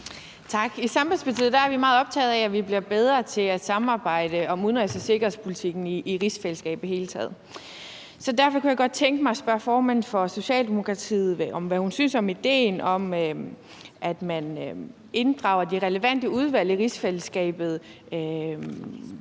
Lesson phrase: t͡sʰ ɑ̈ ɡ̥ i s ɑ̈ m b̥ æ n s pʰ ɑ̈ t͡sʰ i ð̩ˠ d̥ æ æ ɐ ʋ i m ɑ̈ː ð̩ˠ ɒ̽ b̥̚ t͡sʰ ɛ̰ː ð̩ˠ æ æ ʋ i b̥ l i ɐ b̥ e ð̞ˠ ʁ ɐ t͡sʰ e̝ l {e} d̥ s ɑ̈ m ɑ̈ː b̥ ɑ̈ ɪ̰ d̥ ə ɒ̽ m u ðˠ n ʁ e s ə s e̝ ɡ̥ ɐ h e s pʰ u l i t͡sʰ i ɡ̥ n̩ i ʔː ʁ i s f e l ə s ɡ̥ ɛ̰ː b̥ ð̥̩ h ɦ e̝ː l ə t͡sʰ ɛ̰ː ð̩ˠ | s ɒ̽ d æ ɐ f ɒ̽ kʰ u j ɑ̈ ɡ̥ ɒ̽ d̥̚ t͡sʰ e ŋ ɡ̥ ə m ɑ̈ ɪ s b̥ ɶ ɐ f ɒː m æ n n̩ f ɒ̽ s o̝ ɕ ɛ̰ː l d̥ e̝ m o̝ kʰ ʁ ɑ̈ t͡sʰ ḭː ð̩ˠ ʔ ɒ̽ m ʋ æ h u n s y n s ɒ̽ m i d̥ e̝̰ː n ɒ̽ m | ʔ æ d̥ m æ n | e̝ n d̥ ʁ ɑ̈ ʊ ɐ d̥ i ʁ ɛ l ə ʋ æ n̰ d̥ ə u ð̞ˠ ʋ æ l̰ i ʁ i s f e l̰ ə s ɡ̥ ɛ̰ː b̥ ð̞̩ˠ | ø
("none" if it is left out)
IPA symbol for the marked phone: æ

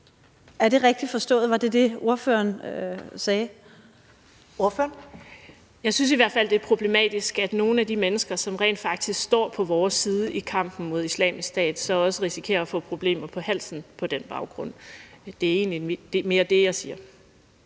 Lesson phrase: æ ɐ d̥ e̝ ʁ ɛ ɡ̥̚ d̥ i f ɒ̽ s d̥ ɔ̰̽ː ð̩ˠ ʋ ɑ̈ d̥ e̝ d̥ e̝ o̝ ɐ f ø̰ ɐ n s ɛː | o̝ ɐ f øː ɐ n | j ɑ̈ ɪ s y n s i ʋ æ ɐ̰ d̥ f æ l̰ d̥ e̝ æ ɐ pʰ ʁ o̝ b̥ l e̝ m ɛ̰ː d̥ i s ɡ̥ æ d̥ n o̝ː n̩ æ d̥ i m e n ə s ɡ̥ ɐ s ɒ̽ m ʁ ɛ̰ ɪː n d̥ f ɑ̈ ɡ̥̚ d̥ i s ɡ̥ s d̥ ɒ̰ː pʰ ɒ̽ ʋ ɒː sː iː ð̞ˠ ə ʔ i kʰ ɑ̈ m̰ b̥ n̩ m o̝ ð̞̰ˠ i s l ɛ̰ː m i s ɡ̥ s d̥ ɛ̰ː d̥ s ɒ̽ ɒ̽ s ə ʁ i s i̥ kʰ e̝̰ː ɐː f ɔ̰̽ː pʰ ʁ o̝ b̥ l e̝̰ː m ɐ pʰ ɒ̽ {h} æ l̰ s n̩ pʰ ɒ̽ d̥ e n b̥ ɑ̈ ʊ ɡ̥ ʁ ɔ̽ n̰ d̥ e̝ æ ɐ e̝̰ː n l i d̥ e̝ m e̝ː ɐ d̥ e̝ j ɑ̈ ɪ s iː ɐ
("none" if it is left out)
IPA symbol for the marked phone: h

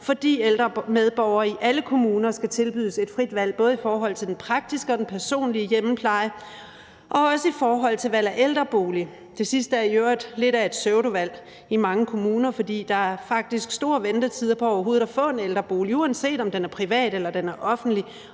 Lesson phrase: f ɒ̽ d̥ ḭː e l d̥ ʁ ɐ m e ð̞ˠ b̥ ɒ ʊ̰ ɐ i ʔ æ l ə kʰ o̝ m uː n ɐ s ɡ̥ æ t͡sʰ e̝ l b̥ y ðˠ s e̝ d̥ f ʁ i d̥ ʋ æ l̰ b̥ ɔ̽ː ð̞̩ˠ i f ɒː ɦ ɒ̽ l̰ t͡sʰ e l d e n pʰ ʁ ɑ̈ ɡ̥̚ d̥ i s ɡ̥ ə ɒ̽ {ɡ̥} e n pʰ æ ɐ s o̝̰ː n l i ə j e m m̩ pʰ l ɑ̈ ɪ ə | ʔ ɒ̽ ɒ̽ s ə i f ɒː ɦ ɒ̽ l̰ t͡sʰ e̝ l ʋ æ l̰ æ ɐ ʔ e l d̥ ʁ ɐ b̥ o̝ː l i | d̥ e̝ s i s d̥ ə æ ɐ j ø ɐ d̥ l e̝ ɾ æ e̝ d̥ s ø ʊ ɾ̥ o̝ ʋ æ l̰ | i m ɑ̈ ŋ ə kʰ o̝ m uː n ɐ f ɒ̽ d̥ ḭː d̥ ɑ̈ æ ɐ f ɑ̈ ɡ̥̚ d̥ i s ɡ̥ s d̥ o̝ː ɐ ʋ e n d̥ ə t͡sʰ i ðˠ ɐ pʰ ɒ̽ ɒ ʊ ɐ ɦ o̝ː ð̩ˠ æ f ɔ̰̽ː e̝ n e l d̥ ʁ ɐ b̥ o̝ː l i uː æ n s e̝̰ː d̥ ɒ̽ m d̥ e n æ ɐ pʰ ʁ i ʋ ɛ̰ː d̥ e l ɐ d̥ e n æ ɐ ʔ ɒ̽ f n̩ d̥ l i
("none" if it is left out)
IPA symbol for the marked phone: d̥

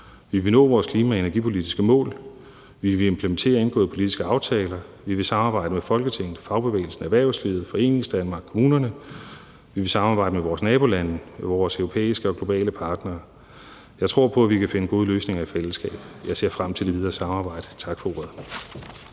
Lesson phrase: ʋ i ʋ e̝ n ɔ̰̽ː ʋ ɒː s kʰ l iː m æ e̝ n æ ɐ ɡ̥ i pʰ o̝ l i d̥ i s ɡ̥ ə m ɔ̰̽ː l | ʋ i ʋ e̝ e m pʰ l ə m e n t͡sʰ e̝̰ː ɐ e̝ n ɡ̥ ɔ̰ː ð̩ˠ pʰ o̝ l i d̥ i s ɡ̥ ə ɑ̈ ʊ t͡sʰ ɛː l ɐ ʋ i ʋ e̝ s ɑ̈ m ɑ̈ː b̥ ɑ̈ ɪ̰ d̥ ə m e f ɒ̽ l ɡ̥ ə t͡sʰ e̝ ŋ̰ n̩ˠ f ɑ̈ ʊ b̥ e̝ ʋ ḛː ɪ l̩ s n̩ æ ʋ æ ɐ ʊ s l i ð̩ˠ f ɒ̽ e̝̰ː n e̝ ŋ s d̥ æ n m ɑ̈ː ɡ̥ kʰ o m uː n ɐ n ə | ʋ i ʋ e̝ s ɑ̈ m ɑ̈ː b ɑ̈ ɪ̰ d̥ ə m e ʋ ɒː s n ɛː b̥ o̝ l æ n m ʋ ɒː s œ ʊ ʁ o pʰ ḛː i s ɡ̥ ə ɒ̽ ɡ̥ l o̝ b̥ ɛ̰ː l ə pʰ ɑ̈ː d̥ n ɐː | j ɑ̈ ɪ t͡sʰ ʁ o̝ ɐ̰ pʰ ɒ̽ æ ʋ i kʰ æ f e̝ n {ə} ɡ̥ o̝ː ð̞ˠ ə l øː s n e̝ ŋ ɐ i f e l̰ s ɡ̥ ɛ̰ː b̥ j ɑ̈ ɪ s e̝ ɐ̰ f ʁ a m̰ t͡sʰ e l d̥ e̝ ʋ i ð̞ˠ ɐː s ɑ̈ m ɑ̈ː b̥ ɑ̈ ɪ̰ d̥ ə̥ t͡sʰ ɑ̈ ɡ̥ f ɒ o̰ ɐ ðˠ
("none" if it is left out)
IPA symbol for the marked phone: ə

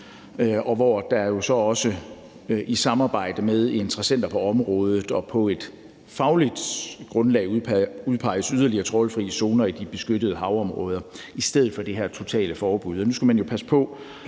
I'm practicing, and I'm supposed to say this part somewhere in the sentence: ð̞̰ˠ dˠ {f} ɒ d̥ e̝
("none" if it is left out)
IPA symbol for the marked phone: f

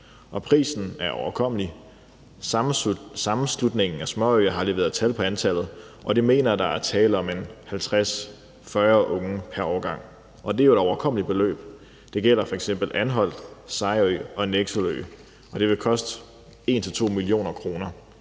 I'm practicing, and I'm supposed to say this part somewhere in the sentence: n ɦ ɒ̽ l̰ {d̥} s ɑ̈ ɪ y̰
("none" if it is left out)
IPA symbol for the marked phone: d̥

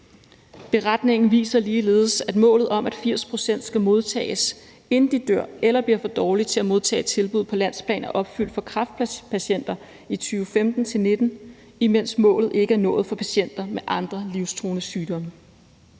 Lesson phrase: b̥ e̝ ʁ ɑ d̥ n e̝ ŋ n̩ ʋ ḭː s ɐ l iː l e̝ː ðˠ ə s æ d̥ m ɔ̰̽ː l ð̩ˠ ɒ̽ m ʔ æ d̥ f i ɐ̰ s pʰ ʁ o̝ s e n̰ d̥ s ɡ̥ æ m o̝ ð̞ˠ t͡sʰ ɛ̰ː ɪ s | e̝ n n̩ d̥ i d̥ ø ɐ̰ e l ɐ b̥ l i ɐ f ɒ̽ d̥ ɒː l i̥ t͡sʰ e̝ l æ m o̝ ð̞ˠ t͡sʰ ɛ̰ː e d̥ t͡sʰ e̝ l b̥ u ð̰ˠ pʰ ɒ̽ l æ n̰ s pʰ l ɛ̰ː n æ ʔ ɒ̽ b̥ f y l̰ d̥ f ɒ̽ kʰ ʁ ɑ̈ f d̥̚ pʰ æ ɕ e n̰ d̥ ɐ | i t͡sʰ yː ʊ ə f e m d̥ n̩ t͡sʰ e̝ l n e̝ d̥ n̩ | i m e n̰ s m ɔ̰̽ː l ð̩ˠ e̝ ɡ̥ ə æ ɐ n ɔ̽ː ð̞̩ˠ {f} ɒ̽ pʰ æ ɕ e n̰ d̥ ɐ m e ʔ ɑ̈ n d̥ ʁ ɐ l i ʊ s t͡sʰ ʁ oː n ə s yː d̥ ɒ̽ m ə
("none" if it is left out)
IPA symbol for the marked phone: f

